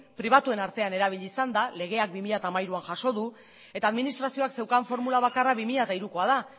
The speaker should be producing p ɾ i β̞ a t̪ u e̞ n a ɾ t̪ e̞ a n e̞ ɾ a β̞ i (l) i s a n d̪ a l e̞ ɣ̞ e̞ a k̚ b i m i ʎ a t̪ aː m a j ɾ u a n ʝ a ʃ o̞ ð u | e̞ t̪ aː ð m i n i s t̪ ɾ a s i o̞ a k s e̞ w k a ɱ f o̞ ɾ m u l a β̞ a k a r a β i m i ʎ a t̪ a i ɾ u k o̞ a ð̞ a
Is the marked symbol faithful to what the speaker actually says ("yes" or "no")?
no